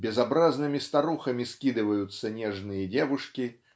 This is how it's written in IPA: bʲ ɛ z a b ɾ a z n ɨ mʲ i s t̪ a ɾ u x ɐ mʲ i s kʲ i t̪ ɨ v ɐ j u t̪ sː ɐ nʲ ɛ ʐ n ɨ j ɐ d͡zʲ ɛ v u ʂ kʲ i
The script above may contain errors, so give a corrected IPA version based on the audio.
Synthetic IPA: bʲ ɛ z a b ɾ a z n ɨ mʲ i s t̪ a ɾ u x ɐ mʲ i s kʲ i d̪ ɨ v ɐ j u t̪ sː ɐ nʲ ɛ ʐ n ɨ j ɐ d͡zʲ ɛ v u ʂ kʲ i